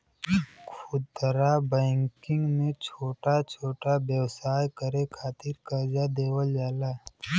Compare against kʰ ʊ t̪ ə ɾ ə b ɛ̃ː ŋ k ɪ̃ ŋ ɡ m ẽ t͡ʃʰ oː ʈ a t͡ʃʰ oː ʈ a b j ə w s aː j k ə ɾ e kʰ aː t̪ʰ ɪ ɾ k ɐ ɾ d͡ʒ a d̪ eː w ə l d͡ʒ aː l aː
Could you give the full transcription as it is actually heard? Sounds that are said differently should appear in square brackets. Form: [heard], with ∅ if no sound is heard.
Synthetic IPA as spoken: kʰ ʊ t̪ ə ɾ [a] b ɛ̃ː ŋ k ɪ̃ ŋ ɡ m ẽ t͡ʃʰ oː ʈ a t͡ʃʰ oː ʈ a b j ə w s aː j k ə ɾ e kʰ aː [t̪] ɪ ɾ k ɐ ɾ d͡ʒ a d̪ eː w ə l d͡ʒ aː l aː